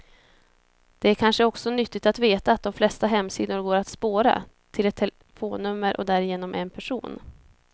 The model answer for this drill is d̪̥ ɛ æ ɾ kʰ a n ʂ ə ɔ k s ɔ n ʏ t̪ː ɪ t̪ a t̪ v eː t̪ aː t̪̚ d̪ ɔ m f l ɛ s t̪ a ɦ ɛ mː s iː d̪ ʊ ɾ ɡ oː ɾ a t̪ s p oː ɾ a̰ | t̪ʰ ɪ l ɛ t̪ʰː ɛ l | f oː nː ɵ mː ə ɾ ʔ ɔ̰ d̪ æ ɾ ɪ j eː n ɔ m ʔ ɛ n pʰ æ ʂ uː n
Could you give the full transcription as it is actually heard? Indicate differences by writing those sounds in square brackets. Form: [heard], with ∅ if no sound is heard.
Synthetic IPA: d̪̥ ɛ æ ɾ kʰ a n ʂ ə ɔ k s ɔ n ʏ t̪ː ɪ t̪ a t̪ v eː t̪ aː t̪̚ d̪ ɔ m f l ɛ s t̪ a ɦ ɛ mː s iː d̪ ʊ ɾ ɡ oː ɾ a t̪ s p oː ɾ a̰ | t̪ʰ ɪ l ɛ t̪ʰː ɛ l | f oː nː ɵ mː ə ɾ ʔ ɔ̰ d̪ æ ɾ ɪ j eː n ɔ m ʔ ɛ n pʰ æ ʂ uː n